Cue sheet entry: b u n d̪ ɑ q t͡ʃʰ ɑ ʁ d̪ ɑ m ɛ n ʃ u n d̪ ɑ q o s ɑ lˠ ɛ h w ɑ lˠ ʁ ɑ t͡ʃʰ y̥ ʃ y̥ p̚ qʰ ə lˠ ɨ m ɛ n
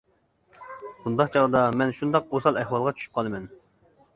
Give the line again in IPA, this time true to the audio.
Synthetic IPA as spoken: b u n d̪ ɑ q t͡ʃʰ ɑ ʁ d̪ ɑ m ɛ n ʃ u n d̪ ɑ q o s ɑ lˠ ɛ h w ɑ lˠ ʁ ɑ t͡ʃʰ y̥ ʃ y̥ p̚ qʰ ɑ lˠ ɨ m ɛ n